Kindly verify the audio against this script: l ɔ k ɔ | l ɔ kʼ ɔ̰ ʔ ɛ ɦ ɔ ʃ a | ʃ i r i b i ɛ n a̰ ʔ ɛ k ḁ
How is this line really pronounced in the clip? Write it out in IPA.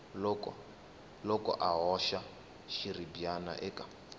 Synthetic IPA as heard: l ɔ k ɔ | l ɔ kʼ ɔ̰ ʔ a ɦ ɔ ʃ a | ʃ i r i b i a n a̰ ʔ ɛ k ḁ